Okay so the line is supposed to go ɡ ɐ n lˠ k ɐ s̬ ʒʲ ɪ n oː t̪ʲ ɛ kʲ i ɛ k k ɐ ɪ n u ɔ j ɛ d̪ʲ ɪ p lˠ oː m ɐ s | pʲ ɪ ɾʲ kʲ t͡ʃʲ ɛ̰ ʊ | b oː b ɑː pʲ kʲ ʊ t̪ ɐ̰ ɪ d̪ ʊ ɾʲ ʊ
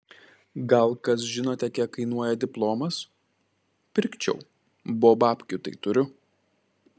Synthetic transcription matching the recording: ɡ ɐ lˠ k ɐ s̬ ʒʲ ɪ n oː t̪ʲ ɛ kʲ i ɛ k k ɐ ɪ n u ɔ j ɛ d̪ʲ ɪ p lˠ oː m ɐ s | pʲ ɪ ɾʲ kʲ t͡ʃʲ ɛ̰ ʊ | b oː b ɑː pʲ kʲ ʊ t̪ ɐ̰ ɪ t̪ ʊ ɾʲ ʊ